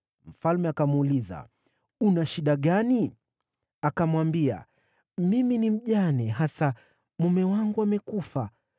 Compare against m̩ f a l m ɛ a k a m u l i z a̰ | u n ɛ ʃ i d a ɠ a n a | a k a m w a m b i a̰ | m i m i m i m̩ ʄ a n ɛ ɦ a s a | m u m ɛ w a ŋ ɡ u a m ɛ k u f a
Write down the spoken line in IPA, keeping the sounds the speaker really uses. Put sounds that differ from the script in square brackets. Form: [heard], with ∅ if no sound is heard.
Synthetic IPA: m̩ f a l m ɛ a k a m u l i z a̰ | u n [a] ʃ i [ɗ] a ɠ a n [i] | a k a m w a m b i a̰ | m i m i [n] i m̩ ʄ a n ɛ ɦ a s a | m u m ɛ w a ŋ ɡ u a m ɛ k u f a